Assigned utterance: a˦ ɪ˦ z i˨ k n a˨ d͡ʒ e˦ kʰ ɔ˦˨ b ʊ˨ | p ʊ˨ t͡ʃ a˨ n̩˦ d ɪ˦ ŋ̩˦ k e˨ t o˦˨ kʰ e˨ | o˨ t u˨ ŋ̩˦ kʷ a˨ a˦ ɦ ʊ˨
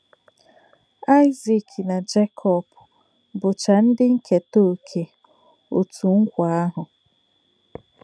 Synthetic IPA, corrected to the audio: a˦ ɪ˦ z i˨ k n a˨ d͡ʒ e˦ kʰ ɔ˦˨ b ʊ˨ | b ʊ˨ t͡ʃ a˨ n̩˦ d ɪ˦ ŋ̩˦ k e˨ t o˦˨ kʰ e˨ | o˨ t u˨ ŋ̩˦ kʷ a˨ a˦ ɦ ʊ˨